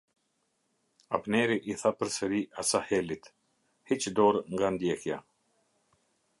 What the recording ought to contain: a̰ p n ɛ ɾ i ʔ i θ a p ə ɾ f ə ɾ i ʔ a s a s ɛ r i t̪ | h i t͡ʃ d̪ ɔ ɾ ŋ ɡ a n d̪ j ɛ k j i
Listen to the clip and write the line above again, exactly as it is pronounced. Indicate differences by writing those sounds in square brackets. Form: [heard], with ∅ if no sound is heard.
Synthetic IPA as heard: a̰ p n ɛ ɾ i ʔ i θ a p ə ɾ [s] ə ɾ i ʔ a s a [h] ɛ [l] i t̪ | h i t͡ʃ d̪ ɔ ɾ ŋ ɡ a n d̪ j ɛ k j [a]

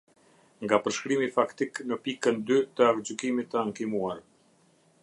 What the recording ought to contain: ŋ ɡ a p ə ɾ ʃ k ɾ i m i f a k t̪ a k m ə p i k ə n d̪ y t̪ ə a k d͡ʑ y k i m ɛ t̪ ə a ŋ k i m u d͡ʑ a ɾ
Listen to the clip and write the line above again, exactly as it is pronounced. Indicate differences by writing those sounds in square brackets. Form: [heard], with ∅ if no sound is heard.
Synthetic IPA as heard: ŋ ɡ a p ə ɾ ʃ k ɾ i m i f a k t̪ [i] k [n] ə p i k ə n d̪ y t̪ ə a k d͡ʑ y k i m [i] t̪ ə a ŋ k i m u [∅] a ɾ

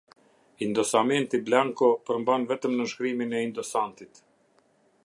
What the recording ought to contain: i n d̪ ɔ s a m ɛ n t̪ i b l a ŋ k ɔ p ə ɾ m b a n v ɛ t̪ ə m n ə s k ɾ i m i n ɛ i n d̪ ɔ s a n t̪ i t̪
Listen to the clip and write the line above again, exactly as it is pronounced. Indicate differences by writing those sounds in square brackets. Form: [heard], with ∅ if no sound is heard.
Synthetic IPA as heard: i n d̪ ɔ s a m ɛ n t̪ i b l a ŋ k ɔ p ə ɾ m b a n v ɛ t̪ ə m n ə [ʃ] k ɾ i m i n ɛ i n d̪ ɔ s a n t̪ i t̪

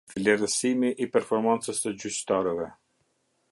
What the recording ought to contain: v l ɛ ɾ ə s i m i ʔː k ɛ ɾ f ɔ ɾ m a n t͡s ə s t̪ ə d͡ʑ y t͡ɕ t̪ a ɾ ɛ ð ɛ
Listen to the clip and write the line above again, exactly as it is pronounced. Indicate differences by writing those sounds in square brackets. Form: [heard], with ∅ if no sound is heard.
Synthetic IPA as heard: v l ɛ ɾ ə s i m i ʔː [p] ɛ ɾ f ɔ ɾ m a n t͡s ə s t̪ ə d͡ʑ y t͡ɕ t̪ a ɾ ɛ [v] ɛ

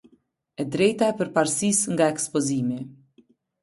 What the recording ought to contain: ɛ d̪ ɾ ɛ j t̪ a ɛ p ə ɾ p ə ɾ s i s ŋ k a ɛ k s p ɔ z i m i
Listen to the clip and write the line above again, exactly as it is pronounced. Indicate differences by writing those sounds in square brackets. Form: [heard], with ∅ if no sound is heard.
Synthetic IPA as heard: ɛ d̪ ɾ ɛ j t̪ a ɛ p ə ɾ p [a] ɾ s i s ŋ [ɡ] a ɛ k s p ɔ z i m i

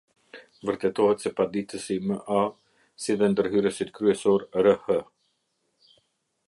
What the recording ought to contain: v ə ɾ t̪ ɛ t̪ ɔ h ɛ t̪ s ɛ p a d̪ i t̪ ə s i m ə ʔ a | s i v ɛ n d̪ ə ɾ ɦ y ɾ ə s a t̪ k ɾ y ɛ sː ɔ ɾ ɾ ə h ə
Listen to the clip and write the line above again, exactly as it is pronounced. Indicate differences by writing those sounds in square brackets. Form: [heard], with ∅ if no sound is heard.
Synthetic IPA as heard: v ə ɾ t̪ ɛ t̪ ɔ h ɛ t̪ s ɛ p a d̪ i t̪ ə s i m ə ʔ a | s i [ð] ɛ n d̪ ə ɾ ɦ y ɾ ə s [i] t̪ k ɾ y ɛ [s] ɔ ɾ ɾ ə h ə

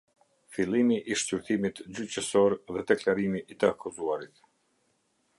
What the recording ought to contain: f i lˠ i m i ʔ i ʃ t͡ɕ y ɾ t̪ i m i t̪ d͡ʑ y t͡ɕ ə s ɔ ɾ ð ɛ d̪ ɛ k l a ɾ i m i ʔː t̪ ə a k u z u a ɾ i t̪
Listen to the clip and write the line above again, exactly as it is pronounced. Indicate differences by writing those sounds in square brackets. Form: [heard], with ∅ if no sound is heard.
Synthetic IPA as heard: f i lˠ i m i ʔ i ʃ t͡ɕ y ɾ t̪ i m i t̪ d͡ʑ y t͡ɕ ə s ɔ ɾ ð ɛ d̪ ɛ k l a ɾ i m i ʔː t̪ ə a k u z u a ɾ i t̪

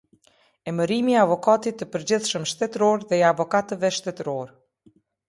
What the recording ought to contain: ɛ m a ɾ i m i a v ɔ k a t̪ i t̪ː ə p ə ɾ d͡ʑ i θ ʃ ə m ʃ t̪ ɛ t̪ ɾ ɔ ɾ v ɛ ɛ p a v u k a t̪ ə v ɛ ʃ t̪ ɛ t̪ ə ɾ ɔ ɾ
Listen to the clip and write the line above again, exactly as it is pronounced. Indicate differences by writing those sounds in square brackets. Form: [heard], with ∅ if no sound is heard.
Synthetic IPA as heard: ɛ m [ə] ɾ i m i a v ɔ k a t̪ i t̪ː ə p ə ɾ d͡ʑ i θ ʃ ə m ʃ t̪ ɛ t̪ ɾ ɔ ɾ [ð] ɛ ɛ [∅] a v [ɔ] k a t̪ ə v ɛ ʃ t̪ ɛ t̪ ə ɾ ɔ ɾ

